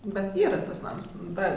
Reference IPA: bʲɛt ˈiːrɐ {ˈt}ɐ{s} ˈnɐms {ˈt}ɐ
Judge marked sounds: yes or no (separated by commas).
yes, yes, no